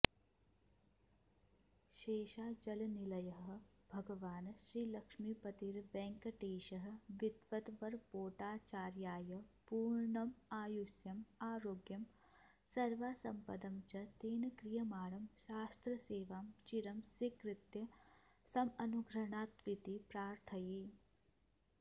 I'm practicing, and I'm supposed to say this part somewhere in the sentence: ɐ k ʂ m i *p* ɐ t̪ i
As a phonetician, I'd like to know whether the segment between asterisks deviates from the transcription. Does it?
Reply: no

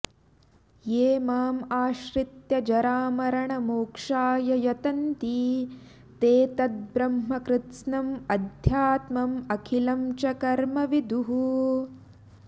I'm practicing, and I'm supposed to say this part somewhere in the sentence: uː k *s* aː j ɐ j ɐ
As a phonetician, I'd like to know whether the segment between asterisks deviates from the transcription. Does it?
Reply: yes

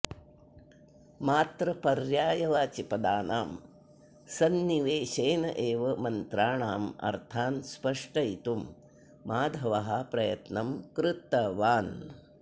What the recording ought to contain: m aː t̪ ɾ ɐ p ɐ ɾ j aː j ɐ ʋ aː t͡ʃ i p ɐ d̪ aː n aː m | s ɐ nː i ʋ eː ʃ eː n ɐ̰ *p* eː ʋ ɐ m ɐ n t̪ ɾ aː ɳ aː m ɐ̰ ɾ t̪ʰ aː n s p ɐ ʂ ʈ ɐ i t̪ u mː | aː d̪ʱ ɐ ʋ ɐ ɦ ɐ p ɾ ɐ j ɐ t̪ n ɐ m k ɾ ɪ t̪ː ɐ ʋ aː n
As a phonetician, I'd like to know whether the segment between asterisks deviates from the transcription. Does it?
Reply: yes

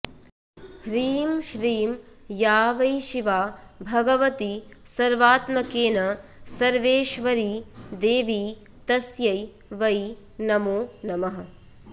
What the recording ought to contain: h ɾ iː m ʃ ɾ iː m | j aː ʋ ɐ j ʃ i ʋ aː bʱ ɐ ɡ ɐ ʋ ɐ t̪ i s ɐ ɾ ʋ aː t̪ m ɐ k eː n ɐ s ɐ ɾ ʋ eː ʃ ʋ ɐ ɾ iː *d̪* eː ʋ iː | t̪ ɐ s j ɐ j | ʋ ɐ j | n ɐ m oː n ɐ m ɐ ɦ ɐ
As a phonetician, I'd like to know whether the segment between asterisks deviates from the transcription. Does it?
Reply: no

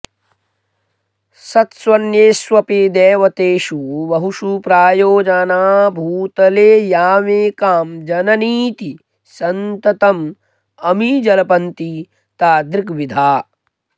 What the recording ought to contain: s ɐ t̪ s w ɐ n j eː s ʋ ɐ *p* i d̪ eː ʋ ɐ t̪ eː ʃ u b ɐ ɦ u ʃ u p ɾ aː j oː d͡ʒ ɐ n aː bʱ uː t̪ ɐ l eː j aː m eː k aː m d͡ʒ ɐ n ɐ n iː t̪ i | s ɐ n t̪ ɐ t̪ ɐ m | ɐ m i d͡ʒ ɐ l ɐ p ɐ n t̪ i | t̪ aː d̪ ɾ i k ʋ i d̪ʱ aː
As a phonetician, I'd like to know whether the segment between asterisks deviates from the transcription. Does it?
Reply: no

